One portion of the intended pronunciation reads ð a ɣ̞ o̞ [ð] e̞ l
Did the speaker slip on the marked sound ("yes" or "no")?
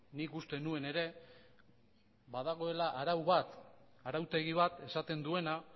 yes